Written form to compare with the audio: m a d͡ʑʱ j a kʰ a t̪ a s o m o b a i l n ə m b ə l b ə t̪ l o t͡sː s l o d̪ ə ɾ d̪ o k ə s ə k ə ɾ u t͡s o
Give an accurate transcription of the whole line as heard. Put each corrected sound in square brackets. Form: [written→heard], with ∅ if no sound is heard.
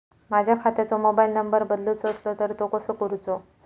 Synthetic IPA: m a d͡ʑʱ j a kʰ a t̪ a [s→t͡s] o m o b a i l n ə m b ə [l→ɾ] b ə [t̪→d̪] l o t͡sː s l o [d̪→t̪] ə ɾ [d̪→t̪] o k ə s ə k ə ɾ u t͡s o